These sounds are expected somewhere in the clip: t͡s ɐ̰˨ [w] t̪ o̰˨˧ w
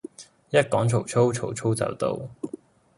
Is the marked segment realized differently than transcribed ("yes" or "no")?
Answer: no